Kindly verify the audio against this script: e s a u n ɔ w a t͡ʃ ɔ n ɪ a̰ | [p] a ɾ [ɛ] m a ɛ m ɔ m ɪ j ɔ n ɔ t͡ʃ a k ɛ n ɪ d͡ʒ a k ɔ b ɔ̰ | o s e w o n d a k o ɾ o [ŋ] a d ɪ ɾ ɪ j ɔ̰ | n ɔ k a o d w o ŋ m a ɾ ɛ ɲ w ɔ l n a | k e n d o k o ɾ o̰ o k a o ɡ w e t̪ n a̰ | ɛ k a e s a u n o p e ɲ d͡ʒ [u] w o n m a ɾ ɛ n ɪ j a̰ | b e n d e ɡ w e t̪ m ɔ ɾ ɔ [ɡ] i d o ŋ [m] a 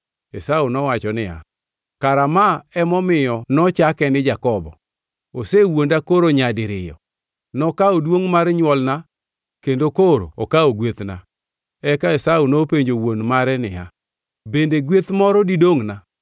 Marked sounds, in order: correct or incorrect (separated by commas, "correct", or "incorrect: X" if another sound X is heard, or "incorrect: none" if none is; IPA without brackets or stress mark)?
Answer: incorrect: k, incorrect: a, incorrect: ɲ, incorrect: o, incorrect: d, incorrect: n